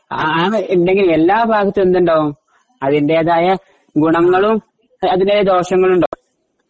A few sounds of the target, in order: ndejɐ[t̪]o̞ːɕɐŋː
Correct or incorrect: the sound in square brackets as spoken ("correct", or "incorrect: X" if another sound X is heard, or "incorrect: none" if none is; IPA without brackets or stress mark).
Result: incorrect: d̪